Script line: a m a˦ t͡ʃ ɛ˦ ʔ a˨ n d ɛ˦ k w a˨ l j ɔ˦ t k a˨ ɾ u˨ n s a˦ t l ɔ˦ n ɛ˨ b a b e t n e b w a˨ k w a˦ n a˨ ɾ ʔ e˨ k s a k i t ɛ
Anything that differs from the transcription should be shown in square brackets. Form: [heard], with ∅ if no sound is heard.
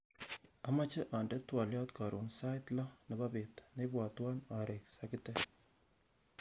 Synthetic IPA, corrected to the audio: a m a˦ t͡ʃ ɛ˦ ʔ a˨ n d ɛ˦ [t] w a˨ l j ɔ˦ t k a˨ ɾ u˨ n s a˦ t l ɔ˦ n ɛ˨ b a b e t n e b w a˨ [t] w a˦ n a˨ ɾ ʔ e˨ k s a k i t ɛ